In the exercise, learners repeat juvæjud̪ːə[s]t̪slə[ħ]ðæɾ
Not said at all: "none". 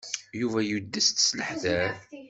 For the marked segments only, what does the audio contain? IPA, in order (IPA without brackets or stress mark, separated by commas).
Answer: s, ħ